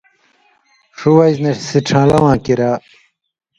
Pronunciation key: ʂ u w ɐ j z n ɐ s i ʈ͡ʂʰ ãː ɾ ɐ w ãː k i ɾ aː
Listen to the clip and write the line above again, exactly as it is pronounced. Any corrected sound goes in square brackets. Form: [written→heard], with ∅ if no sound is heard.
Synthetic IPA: ʂ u w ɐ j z n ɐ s i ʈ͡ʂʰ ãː [ɾ→l] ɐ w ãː k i ɾ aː